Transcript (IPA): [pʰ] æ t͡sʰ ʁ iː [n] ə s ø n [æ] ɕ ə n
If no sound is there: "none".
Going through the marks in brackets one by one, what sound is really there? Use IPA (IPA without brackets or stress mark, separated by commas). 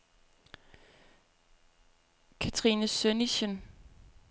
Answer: kʰ, n, i